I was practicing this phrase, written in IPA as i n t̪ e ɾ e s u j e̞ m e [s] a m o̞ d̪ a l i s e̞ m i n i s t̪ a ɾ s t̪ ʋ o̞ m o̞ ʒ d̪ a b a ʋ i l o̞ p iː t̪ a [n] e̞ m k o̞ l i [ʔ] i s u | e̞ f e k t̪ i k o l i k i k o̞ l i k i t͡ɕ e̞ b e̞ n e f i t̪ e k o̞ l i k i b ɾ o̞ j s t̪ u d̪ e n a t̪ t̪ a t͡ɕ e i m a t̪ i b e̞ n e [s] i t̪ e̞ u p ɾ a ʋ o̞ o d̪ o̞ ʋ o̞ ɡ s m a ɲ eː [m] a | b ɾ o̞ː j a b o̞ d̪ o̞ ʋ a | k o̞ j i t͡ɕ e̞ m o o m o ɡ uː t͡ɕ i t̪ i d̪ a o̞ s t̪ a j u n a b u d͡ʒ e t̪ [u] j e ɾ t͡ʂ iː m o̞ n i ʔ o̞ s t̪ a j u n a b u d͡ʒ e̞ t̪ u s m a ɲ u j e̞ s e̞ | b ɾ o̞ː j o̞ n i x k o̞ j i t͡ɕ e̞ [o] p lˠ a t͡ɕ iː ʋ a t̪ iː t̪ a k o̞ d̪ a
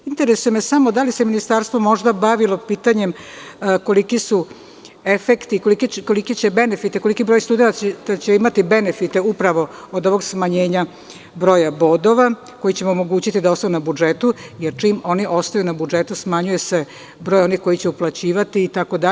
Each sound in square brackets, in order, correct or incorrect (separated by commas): correct, incorrect, incorrect, incorrect, incorrect, correct, incorrect